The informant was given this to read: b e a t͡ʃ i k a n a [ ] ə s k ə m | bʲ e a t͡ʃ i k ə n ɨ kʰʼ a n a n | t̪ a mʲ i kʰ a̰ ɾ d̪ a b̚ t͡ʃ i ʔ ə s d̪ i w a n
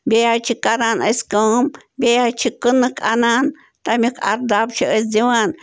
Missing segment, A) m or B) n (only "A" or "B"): B